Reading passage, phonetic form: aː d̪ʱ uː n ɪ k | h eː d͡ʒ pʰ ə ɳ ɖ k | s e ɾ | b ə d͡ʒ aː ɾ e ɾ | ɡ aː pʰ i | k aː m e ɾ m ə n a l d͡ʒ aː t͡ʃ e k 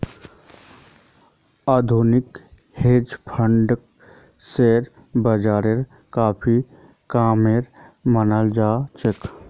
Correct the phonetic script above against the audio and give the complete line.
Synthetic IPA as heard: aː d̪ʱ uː n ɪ k | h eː d͡ʒ pʰ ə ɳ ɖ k | s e ɾ | b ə d͡ʒ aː ɾ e ɾ | k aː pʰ i | k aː m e ɾ m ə n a l d͡ʒ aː t͡ʃ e k

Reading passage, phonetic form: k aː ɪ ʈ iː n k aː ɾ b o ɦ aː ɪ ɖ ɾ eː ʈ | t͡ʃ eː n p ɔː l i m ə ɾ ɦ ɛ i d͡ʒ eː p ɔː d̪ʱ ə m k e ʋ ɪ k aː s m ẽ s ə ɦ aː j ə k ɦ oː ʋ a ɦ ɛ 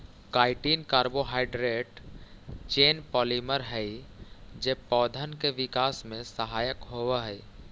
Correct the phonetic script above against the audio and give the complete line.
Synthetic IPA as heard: k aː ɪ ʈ iː n k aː ɾ b o ɦ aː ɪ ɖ ɾ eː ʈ | t͡ʃ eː n p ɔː l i m ə ɾ ɦ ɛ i d͡ʒ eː p ɔː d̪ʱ ə n k e ʋ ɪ k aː s m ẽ s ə ɦ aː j ə k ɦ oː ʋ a ɦ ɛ

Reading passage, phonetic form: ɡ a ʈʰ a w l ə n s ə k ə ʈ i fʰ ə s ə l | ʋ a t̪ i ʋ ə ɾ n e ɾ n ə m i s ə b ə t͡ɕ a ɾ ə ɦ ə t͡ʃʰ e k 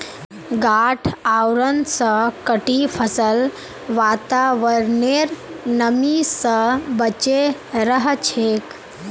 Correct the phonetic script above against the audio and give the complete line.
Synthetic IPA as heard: ɡ a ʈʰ a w ɾ ə n s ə k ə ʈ i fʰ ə s ə l | ʋ a t̪ a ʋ ə ɾ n e ɾ n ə m i s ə b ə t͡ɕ e ɾ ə ɦ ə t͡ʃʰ e k

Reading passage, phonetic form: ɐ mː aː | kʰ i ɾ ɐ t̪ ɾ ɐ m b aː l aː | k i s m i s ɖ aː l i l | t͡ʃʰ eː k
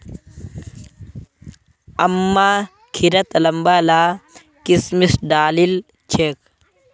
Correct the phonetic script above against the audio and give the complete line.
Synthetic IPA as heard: ɐ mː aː | kʰ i ɾ ɐ t̪ l ɐ m b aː l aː | k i s m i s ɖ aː l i l | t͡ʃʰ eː k

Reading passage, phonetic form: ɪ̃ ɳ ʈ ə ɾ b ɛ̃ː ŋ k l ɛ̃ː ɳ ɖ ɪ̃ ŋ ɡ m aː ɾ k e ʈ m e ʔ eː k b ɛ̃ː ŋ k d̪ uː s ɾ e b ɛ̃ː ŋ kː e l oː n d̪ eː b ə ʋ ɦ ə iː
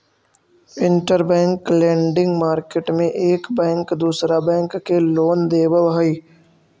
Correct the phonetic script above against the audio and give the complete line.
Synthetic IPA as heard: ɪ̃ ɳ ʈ ə ɾ b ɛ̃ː ŋ k l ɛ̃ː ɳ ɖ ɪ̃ ŋ ɡ m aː ɾ k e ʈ m ẽ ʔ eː k b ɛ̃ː ŋ k d̪ uː s ɾ a b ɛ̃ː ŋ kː e l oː n d̪ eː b ə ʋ ɦ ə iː

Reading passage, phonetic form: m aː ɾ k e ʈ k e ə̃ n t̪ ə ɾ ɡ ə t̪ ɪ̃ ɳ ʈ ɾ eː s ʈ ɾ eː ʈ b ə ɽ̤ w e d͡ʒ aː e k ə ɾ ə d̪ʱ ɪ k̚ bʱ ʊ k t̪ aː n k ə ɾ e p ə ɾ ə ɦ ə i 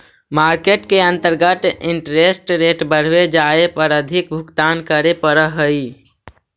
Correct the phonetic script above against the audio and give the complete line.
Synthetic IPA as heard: m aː ɾ k e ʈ k e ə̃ n t̪ ə ɾ ɡ ə t̪ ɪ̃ ɳ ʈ ɾ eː s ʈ ɾ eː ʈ b ə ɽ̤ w e d͡ʒ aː e p ə ɾ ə d̪ʱ ɪ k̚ bʱ ʊ k t̪ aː n k ə ɾ e p ə ɾ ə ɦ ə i

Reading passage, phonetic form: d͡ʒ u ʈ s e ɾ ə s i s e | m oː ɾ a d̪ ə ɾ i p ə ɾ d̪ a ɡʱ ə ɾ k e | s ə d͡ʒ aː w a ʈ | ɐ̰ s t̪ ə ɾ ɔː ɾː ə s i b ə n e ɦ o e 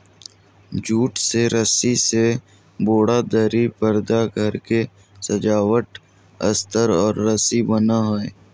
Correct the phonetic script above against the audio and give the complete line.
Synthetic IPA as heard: d͡ʒ uː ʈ s e ɾ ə s i s e | b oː ɽ a d̪ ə ɾ i p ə ɾ d̪ a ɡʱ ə ɾ k e | s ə d͡ʒ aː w ə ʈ | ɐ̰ s t̪ ə ɾ ɔː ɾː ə s i b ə n a ɦ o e

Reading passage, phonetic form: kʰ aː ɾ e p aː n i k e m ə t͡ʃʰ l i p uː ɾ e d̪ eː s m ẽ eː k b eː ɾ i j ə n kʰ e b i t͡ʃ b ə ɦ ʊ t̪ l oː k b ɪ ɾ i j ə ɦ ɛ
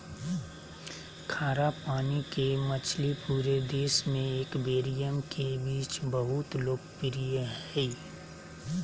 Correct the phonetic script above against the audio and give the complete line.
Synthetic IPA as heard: kʰ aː ɾ a p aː n i k e m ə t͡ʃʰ l i p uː ɾ e d̪ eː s m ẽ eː k b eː ɾ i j ə m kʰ e b iː t͡ʃ b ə ɦ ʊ t̪ l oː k p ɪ ɾ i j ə ɦ ɛ

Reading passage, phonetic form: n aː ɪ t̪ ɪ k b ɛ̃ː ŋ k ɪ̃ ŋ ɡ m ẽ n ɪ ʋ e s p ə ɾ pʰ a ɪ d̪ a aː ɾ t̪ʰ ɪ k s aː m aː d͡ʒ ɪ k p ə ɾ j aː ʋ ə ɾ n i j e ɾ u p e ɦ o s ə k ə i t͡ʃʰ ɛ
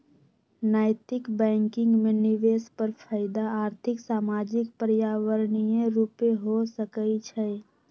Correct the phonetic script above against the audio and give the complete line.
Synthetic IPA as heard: n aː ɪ t̪ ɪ k b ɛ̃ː ŋ k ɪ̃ ŋ ɡ m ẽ n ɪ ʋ e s p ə ɾ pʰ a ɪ d̪ a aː ɾ t̪ʰ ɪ k s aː m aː d͡ʒ ɪ k p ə ɾ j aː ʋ ə ɾ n i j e ɾ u p e ɦ o s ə k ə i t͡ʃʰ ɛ

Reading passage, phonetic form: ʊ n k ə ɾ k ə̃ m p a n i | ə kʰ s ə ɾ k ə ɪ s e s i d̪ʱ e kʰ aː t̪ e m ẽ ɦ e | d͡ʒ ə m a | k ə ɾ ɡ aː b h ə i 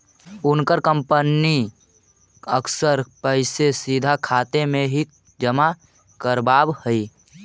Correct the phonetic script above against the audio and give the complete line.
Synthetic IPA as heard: ʊ n k ə ɾ k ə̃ m p ə n i | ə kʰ s ə ɾ p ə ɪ s e s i d̪ʱ a kʰ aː t̪ e m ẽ ɦ i | d͡ʒ ə m a | k ə ɾ b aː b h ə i

